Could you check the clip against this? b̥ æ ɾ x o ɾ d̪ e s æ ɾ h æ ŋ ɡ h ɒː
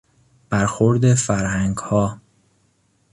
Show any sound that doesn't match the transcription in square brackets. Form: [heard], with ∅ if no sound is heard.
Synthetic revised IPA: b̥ æ ɾ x o ɾ d̪ e [f] æ ɾ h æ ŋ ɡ h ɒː